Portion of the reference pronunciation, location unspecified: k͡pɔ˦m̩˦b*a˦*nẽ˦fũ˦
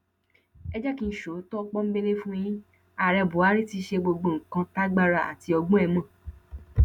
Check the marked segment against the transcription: incorrect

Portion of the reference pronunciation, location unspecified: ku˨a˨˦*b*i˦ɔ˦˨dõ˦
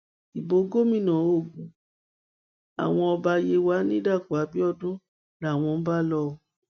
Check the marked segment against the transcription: correct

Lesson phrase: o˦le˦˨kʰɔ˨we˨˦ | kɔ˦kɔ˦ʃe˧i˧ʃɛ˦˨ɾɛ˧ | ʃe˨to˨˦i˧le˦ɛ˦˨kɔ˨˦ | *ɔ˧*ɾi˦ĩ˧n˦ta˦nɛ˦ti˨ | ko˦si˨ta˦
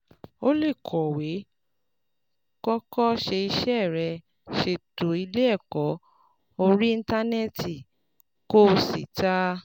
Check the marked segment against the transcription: incorrect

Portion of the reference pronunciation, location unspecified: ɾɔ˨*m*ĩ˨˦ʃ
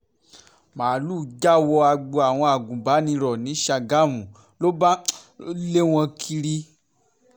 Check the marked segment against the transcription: incorrect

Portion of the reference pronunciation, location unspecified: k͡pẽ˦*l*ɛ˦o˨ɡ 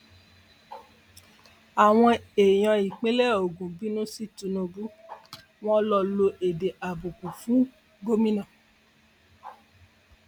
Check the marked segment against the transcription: correct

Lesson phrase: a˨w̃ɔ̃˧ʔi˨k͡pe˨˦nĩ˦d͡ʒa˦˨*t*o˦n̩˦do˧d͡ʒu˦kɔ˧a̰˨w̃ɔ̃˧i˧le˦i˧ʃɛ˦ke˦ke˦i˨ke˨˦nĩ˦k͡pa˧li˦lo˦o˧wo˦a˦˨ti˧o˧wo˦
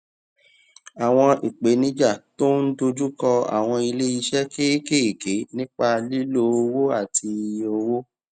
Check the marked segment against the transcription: correct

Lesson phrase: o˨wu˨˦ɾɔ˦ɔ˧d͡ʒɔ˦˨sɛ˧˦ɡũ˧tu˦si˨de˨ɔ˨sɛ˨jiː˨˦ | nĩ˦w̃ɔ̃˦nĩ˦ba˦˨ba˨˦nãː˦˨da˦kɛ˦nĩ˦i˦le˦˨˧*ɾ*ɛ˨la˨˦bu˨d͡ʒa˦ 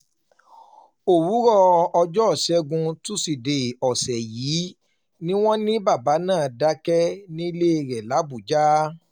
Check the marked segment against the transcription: correct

